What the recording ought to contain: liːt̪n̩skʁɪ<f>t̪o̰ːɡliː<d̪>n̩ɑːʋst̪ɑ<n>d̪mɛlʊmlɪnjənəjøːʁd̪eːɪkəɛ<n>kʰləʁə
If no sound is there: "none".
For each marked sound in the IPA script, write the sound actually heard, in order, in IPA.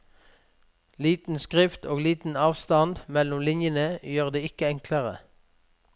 f, t̪, n, ŋ

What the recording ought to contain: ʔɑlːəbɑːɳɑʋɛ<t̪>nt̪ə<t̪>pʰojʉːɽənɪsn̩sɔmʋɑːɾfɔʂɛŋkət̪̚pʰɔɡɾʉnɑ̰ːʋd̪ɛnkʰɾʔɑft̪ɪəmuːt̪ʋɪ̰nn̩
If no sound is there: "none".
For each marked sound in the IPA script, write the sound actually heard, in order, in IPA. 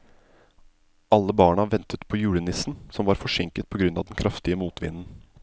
none, t̪

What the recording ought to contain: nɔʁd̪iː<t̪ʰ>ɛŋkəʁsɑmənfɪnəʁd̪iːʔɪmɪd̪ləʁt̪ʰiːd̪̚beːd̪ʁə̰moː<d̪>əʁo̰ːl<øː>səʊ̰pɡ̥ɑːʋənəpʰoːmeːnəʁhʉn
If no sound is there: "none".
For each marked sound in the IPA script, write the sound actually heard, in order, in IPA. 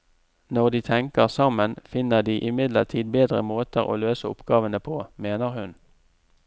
t̪ʰ, t̪, øː

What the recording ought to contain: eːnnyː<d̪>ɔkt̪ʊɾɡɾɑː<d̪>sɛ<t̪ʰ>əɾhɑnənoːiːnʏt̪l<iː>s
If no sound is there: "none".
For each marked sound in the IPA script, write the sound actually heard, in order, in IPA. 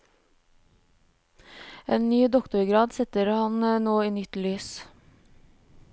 d̪, d̪, t̪, yː

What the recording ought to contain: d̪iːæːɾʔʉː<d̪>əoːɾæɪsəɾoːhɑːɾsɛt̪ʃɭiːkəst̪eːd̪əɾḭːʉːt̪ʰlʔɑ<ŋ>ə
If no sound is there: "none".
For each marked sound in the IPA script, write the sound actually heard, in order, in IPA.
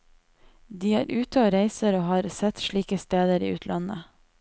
t̪, n

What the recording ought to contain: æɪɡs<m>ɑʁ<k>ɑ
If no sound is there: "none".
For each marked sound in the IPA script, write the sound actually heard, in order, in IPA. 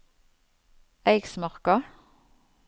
m, k

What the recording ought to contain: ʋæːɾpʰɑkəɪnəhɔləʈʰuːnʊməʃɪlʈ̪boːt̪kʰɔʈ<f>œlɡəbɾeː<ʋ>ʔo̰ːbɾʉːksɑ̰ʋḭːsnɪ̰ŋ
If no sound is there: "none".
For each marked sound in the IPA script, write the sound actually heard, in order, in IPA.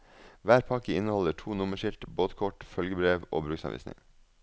f, ʋ

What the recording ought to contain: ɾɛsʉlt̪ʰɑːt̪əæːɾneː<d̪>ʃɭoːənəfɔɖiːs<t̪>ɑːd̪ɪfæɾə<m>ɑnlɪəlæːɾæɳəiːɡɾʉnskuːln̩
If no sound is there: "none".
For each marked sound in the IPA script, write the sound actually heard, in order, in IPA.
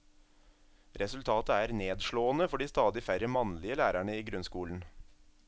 d̪, t̪, m

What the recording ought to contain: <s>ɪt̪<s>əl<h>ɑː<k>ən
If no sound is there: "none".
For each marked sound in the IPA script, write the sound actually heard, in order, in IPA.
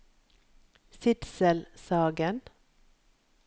s, s, s, ɡ

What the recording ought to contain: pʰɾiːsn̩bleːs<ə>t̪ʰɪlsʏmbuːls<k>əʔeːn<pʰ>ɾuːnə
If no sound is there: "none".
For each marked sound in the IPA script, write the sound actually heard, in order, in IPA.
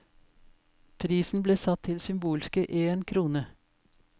ɑ, k, kʰ

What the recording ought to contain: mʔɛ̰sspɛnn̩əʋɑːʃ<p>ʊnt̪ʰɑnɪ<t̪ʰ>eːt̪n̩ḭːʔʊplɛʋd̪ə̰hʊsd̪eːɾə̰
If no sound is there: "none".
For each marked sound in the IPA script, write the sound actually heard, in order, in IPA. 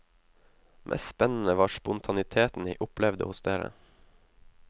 p, t̪ʰ

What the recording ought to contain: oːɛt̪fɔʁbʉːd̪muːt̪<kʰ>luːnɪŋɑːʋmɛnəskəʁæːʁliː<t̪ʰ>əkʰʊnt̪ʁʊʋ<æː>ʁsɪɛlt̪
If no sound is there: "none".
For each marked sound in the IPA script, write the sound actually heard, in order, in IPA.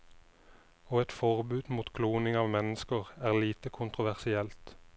kʰ, t̪, æ

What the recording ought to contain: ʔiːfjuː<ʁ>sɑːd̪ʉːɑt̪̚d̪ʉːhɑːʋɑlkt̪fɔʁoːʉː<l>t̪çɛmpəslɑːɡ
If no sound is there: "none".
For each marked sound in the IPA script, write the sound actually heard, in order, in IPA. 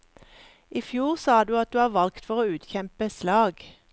ʁ, none

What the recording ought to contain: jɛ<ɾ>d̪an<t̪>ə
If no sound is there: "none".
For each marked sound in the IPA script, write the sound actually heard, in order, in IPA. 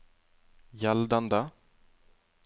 l, d̪

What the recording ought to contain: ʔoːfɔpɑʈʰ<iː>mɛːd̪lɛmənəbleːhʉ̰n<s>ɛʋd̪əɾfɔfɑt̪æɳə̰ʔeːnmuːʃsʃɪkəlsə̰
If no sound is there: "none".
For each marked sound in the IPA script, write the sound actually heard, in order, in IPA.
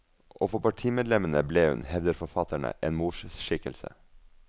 iː, h

